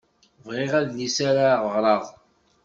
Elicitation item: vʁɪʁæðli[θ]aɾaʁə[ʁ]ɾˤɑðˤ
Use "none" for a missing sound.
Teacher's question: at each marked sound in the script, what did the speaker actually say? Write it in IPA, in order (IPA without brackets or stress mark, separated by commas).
s, ʁ